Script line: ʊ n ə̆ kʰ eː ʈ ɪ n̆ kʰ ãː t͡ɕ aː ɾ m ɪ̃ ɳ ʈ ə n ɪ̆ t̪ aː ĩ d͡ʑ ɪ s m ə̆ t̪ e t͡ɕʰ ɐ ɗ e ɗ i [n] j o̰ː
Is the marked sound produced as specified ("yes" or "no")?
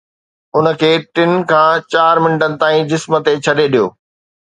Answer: no